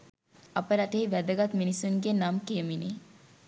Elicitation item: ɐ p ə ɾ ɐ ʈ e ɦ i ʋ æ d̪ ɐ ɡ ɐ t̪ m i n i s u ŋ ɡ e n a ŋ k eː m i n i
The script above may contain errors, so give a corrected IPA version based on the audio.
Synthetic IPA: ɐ p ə ɾ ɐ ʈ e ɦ i ʋ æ d̪ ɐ ɡ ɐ t̪ m i n i s u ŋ ɡ e n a m k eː m i n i